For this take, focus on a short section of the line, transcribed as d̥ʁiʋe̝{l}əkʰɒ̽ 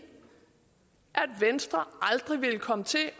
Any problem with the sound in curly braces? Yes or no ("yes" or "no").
no